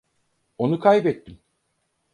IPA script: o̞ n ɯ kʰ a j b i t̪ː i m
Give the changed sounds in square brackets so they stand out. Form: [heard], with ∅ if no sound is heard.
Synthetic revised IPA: o̞ n [u] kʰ a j b [ɛ] t̪ː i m